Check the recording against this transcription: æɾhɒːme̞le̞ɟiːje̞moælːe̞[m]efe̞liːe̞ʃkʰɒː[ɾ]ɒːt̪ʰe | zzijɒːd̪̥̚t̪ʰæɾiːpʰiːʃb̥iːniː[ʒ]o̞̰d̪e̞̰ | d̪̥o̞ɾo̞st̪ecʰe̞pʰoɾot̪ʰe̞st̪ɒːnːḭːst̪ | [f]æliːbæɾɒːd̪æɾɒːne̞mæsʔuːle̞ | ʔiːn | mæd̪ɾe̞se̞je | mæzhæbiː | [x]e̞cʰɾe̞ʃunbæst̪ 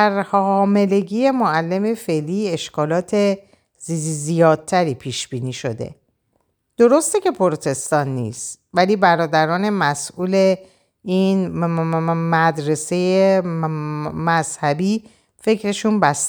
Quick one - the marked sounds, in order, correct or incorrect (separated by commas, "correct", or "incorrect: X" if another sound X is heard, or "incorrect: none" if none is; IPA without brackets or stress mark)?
correct, incorrect: l, incorrect: ʃ, incorrect: v, incorrect: f